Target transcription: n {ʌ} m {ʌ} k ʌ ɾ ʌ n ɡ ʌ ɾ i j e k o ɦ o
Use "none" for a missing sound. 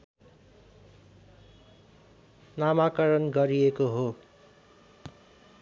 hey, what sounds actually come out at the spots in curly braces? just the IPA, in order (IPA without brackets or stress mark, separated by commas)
a, a